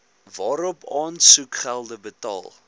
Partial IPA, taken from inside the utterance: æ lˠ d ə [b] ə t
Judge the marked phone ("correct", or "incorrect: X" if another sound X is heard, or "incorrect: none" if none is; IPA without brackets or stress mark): correct